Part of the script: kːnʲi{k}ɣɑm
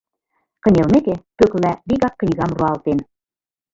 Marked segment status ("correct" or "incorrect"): incorrect